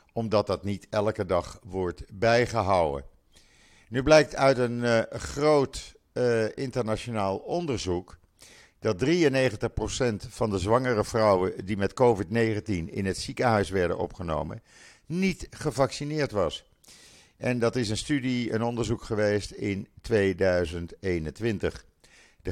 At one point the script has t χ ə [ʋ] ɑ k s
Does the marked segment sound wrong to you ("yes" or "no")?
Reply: yes